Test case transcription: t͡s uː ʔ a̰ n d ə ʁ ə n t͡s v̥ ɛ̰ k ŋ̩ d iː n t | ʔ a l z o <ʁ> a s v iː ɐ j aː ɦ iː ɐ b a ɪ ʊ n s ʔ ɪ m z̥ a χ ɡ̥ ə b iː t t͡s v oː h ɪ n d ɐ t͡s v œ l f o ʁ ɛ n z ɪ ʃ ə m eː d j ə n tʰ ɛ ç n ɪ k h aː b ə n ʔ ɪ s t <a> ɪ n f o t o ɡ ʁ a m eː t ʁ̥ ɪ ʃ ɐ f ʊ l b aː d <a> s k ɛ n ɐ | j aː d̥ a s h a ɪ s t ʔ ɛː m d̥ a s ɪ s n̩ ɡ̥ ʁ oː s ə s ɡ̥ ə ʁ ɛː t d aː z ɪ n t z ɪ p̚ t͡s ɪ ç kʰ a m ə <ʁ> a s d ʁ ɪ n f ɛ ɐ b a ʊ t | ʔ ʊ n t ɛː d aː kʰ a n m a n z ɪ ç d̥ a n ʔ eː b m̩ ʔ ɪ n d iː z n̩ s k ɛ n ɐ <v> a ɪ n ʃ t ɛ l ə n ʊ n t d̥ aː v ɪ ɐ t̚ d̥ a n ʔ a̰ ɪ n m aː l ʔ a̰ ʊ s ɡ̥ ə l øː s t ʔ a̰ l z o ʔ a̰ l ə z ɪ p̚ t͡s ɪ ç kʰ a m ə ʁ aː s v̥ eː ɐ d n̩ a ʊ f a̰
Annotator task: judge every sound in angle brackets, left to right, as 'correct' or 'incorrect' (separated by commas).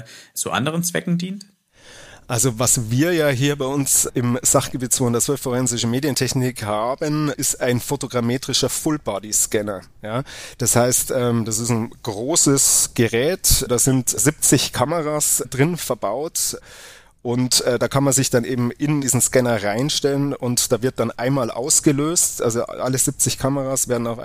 incorrect, correct, incorrect, correct, incorrect